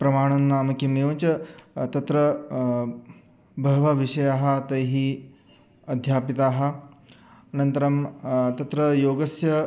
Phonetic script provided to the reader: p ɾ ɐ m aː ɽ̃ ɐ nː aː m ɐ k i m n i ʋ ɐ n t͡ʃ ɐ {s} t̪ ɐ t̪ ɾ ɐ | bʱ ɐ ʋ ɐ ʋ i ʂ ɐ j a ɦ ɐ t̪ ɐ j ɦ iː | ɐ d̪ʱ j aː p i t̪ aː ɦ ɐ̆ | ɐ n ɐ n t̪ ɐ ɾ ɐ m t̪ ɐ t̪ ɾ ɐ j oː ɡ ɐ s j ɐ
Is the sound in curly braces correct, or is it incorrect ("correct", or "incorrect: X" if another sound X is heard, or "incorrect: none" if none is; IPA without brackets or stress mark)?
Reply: incorrect: none